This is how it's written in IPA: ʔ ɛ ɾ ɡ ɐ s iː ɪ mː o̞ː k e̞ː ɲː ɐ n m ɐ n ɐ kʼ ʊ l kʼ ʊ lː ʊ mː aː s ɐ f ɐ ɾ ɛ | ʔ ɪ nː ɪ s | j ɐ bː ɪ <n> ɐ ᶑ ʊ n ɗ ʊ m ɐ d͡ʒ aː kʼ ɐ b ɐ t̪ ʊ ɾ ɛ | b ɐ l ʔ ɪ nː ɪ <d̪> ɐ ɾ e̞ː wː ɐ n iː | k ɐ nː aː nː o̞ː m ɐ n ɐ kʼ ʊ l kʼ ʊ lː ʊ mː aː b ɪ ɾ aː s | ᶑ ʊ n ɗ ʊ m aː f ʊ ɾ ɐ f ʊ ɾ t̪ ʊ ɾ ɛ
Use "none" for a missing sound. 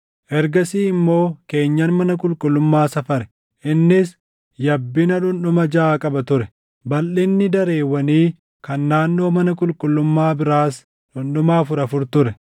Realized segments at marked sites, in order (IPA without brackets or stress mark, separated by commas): n, d̪